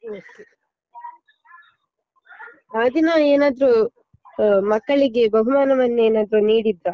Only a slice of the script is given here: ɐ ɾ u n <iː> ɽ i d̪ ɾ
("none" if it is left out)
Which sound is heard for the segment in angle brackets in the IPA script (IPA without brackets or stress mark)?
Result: iː